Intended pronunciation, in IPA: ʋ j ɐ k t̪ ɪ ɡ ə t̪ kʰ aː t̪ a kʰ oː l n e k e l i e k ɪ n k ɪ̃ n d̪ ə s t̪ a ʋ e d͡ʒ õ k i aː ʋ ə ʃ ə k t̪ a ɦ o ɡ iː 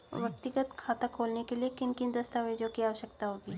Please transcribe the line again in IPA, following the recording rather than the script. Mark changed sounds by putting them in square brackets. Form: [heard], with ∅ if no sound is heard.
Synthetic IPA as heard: ʋ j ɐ k t̪ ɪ ɡ ə t̪ kʰ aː t̪ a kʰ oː l n e k e l i e k ɪ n k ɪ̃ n d̪ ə s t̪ a ʋ e d͡ʒ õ k i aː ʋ ə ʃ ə k t̪ a ɦ o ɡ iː